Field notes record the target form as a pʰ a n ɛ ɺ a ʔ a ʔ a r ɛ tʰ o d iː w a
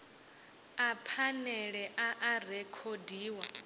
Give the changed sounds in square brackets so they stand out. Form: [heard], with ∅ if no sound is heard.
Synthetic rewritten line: a pʰ a n ɛ ɺ [ɛ] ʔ a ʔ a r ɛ [kʰ] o d iː w a